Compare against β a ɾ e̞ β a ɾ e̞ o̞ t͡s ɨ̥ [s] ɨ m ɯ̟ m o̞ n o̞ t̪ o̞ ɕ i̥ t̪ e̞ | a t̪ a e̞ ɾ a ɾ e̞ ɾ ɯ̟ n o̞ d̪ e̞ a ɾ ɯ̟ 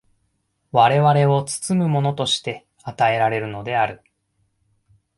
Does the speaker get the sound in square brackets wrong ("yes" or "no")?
yes